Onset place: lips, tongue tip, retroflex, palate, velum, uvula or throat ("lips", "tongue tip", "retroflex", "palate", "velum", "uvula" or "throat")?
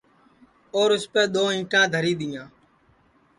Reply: tongue tip